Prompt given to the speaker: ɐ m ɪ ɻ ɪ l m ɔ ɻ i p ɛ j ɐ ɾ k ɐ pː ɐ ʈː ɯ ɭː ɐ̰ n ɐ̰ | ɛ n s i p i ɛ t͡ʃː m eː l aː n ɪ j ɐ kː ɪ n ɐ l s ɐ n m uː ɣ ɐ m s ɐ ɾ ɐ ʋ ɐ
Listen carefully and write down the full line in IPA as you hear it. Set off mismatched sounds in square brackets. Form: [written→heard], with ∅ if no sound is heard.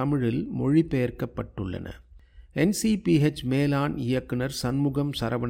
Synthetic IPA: ɐ m ɪ ɻ ɪ l m ɔ ɻ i p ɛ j ɐ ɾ k ɐ pː ɐ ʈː ɯ ɭː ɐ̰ n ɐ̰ | ɛ n s i p i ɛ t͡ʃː m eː l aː n ɪ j ɐ kː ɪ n ɐ [l→ɾ] s ɐ n m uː ɣ ɐ m s ɐ ɾ ɐ ʋ ɐ